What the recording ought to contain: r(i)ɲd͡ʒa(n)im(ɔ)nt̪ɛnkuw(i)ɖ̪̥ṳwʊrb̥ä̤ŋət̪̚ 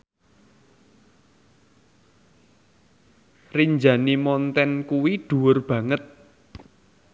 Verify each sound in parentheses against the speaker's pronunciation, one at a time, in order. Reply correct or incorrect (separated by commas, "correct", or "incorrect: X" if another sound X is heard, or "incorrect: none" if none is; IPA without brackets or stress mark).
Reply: correct, correct, correct, correct